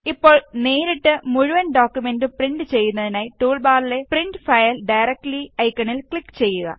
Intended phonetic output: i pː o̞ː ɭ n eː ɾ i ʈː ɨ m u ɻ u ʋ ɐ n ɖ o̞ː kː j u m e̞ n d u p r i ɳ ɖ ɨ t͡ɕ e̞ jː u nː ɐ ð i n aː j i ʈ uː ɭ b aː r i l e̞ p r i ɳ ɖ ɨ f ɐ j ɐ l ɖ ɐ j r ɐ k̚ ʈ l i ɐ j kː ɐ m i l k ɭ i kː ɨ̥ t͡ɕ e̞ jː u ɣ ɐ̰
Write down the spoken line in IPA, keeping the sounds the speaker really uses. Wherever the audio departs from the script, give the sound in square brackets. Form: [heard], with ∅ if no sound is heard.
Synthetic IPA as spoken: i pː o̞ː ɭ n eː ɾ i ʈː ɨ m u ɻ u ʋ ɐ n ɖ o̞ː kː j u m e̞ n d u p r i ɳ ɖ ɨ t͡ɕ e̞ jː u nː ɐ ð i n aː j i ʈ uː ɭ b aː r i l e̞ p r i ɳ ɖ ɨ f ɐ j ɐ l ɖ ɐ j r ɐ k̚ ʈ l i ɐ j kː ɐ [ɳ] i l k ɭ i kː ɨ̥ t͡ɕ e̞ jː u ɣ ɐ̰